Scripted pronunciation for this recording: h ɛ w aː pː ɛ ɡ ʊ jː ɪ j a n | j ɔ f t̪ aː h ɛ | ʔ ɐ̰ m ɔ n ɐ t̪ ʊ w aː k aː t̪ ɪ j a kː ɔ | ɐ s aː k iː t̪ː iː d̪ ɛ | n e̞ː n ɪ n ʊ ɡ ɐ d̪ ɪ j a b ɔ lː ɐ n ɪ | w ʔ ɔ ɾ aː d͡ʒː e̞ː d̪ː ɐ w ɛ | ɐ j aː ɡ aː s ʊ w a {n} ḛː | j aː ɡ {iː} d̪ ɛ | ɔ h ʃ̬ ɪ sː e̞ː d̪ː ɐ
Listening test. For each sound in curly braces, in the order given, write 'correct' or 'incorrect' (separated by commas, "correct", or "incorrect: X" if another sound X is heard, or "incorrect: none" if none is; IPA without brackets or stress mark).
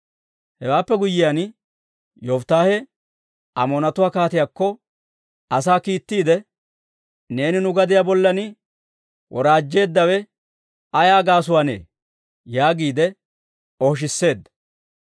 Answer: correct, correct